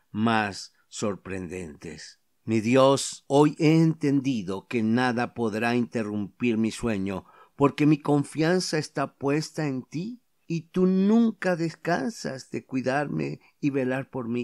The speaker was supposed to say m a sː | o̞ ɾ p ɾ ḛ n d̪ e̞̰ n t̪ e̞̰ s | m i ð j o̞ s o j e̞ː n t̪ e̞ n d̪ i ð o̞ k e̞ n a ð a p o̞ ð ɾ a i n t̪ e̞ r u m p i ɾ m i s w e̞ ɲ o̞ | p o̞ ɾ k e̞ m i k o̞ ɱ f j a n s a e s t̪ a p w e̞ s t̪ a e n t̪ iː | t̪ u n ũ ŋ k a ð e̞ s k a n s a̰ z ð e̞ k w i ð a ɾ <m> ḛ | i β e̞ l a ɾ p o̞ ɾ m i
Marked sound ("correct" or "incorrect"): correct